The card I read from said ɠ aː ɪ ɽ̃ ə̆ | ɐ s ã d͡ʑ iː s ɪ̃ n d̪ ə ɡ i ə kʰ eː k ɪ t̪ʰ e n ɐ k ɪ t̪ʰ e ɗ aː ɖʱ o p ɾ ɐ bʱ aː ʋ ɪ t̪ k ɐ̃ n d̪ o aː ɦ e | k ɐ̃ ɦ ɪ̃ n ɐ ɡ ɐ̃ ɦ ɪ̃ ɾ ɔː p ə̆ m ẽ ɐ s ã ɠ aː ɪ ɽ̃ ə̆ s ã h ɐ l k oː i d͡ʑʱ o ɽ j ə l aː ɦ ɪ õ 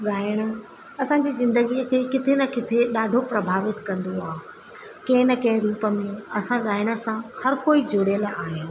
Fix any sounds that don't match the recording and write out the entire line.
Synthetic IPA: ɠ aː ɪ ɽ̃ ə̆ | ɐ s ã d͡ʑ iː z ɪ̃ n d̪ ə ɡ i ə kʰ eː k ɪ t̪ʰ e n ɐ k ɪ t̪ʰ e ɗ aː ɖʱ o p ɾ ɐ bʱ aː ʋ ɪ t̪ k ɐ̃ n d̪ o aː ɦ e | k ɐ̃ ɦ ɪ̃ n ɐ k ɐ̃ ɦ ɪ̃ ɾ uː p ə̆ m ẽ ɐ s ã ɠ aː ɪ ɽ̃ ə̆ s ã h ɐ ɾ k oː i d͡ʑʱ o ɽ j ə l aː ɦ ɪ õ